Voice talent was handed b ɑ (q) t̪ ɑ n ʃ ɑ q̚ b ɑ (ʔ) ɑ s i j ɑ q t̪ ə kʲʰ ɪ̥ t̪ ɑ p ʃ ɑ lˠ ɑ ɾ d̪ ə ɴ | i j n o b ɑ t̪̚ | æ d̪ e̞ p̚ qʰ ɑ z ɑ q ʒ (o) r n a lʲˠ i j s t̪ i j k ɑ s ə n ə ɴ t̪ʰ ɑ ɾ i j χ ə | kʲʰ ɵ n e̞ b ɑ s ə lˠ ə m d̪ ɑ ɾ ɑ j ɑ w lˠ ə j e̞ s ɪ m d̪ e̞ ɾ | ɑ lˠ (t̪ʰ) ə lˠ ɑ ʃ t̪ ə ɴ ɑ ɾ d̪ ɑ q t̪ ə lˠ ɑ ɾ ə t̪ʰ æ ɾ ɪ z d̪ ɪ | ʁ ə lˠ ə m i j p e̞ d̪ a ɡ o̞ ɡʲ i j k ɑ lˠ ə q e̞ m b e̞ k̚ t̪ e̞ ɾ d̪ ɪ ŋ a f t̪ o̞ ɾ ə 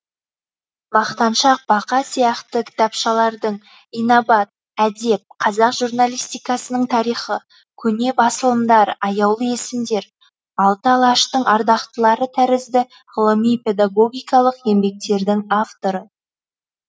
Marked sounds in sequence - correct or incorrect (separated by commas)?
correct, incorrect, incorrect, incorrect